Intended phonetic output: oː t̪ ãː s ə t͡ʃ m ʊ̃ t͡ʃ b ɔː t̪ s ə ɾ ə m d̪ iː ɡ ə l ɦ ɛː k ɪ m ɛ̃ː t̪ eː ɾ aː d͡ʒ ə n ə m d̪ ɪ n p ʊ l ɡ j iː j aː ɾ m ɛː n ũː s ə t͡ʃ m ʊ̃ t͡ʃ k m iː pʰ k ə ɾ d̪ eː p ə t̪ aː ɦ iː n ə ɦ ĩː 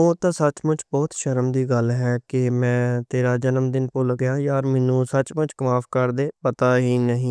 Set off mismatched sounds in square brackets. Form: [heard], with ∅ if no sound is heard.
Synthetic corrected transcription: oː t̪ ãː s ə t͡ʃ m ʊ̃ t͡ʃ b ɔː t̪ [ʃ] ə ɾ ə m d̪ iː ɡ ə l ɦ ɛː k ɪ m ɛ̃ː t̪ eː ɾ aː d͡ʒ ə n ə m d̪ ɪ n p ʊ l ɡ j [aː] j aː ɾ m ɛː n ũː s ə t͡ʃ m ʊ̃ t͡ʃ k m [aː] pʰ k ə ɾ d̪ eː p ə t̪ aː ɦ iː n ə ɦ ĩː